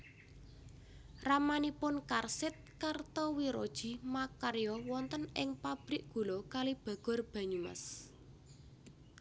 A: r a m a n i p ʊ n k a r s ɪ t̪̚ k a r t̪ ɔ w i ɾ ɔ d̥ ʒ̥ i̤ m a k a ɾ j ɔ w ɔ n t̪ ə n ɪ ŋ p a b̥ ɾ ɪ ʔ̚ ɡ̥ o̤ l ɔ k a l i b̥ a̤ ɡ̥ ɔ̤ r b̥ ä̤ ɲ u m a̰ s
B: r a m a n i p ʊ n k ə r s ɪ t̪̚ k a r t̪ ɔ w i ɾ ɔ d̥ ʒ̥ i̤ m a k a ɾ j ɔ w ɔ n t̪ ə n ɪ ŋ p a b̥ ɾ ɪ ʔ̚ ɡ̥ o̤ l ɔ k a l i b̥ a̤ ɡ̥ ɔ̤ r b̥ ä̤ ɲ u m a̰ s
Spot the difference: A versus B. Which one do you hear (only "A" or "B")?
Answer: A